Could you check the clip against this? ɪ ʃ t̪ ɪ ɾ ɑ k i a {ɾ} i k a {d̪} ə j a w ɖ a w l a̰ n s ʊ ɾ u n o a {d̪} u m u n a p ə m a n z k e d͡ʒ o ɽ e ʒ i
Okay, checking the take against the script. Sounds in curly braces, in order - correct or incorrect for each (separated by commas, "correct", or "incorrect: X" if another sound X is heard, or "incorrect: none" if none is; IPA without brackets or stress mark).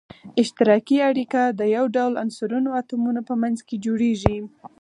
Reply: incorrect: ɽ, correct, incorrect: t̪